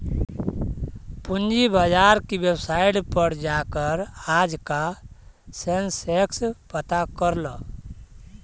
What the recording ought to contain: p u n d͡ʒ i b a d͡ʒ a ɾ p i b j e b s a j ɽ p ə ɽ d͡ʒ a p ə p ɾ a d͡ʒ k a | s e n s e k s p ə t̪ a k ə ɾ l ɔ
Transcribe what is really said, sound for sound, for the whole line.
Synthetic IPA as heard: p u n d͡ʒ i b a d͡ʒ a ɾ k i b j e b s a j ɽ p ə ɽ d͡ʒ a k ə ɾ a d͡ʒ k a | s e n s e k s p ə t̪ a k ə ɾ l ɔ